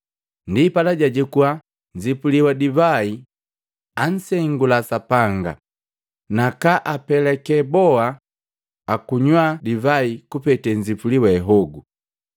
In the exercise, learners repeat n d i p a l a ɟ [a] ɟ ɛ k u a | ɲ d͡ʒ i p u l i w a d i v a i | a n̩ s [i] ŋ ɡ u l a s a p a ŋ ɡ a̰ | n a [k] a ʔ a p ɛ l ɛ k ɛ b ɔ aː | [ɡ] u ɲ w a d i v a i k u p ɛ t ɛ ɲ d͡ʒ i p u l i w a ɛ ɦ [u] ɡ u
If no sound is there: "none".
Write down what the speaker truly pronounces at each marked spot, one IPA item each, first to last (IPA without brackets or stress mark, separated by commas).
a, ɛ, k, k, ɔ